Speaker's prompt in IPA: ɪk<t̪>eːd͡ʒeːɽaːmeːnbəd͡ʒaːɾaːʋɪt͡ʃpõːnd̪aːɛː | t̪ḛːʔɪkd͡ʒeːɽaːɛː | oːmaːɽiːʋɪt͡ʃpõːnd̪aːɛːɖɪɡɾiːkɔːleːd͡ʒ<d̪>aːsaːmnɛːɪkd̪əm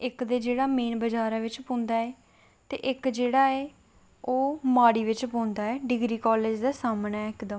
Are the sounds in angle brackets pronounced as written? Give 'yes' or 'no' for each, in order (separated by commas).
no, yes